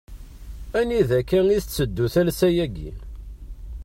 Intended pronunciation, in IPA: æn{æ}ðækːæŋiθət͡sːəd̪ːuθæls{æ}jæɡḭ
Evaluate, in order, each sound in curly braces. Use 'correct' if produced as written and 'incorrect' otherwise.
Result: incorrect, correct

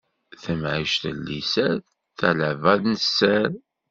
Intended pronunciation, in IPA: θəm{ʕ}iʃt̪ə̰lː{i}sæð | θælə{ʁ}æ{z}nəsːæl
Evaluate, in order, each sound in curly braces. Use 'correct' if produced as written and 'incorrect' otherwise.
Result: correct, correct, incorrect, incorrect

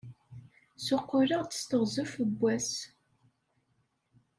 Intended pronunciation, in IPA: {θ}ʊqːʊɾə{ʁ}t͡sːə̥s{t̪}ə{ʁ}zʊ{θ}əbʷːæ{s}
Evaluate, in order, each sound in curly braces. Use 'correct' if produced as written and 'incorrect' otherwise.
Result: incorrect, correct, correct, correct, incorrect, correct

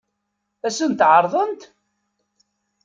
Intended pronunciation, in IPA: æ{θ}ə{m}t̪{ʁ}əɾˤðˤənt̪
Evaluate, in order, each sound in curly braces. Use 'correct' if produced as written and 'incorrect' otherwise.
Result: incorrect, incorrect, incorrect

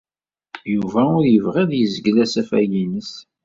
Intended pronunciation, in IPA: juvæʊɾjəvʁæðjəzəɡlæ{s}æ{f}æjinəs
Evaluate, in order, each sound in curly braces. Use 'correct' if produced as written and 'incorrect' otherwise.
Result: correct, correct

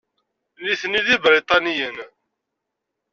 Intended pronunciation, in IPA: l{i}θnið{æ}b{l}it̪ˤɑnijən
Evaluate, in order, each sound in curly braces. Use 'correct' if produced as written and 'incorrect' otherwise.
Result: correct, incorrect, incorrect

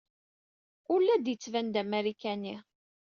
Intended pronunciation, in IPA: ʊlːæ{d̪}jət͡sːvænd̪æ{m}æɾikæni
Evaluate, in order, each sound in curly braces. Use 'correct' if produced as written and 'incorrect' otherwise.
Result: correct, correct

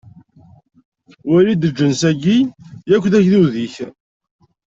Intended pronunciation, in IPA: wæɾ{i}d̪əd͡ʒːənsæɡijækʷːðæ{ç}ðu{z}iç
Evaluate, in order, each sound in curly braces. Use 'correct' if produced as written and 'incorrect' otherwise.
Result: correct, correct, incorrect

